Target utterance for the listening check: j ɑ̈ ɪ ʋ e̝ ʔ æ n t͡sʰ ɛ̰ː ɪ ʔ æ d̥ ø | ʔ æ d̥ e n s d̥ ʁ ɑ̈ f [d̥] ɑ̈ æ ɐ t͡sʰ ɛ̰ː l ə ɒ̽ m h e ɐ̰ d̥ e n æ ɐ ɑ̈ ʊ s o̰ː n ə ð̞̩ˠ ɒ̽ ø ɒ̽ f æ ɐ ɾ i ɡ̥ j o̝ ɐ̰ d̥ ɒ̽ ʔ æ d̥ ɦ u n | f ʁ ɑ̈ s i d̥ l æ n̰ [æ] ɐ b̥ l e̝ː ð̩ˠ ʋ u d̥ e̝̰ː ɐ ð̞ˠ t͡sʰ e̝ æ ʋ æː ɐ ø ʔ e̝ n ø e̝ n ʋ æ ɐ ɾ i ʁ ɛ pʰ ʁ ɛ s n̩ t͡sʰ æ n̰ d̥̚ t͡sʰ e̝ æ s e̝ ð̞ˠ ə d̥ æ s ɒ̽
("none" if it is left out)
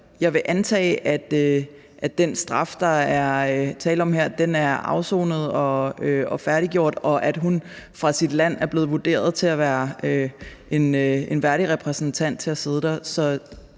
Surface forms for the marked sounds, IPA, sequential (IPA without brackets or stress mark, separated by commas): d̥, æ